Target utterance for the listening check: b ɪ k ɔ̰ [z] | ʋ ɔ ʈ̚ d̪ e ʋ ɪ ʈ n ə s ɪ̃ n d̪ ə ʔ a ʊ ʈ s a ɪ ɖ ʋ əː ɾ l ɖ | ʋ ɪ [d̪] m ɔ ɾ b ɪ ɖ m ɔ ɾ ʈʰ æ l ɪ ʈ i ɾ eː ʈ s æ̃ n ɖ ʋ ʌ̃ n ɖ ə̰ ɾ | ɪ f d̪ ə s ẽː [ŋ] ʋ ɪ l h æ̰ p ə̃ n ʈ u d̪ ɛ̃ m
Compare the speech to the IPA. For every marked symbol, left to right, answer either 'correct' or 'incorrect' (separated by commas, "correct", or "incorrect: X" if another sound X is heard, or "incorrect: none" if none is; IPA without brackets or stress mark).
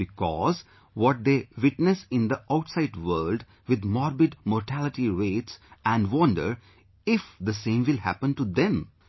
correct, correct, incorrect: m